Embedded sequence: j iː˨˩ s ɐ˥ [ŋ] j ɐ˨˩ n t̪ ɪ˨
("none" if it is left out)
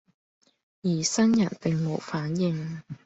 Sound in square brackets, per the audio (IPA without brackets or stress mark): n